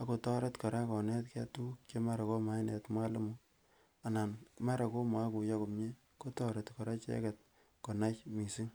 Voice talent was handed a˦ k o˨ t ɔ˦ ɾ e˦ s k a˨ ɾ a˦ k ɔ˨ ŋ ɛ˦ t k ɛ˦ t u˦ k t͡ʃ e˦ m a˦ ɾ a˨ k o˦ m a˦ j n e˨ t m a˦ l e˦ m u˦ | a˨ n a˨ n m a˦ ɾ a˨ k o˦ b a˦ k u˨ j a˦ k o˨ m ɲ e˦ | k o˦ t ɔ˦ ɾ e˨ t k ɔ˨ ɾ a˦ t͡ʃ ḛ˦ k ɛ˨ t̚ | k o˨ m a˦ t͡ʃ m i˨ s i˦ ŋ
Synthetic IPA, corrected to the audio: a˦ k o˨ t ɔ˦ ɾ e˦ t k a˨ ɾ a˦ k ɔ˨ n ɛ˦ t k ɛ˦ t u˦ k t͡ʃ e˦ m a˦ ɾ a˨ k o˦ m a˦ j n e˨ t m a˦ l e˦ m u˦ | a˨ n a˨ n m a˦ ɾ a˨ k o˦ m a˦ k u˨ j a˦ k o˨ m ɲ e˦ | k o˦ t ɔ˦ ɾ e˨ t k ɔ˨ ɾ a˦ t͡ʃ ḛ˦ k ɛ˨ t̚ | k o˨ n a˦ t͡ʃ m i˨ s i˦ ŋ